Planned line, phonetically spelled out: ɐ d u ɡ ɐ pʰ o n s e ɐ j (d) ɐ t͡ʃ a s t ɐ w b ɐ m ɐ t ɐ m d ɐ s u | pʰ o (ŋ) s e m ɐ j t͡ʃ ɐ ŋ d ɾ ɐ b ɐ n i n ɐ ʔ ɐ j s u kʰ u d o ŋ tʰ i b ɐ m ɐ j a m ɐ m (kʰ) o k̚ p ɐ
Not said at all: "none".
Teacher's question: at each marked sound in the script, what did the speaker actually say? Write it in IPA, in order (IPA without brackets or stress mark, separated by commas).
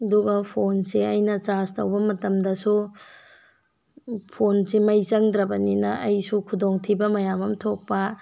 n, n, tʰ